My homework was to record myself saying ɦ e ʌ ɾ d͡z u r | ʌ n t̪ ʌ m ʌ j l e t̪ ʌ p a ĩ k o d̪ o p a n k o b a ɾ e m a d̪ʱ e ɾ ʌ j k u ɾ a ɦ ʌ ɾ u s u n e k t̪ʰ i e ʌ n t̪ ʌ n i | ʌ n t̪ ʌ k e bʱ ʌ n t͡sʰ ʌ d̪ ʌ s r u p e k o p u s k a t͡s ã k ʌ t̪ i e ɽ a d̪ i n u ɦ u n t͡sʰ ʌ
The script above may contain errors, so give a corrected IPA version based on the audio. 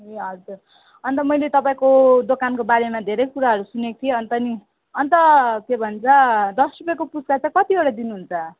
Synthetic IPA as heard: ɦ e ʌ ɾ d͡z u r | ʌ n t̪ ʌ m ʌ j l e t̪ ʌ p a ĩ k o d̪ o k a n k o b a ɾ e m a d̪ʱ e ɾ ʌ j k u ɾ a ɦ ʌ ɾ u s u n e k t̪ʰ i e ʌ n t̪ ʌ n i | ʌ n t̪ ʌ k e bʱ ʌ n t͡sʰ ʌ d̪ ʌ s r u p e k o p u s k a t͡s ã k ʌ t̪ i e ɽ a d̪ i n u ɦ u n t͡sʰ ʌ